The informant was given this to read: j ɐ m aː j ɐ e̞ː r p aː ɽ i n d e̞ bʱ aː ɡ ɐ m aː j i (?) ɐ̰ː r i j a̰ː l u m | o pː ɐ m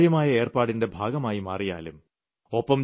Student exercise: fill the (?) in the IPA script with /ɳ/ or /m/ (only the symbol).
m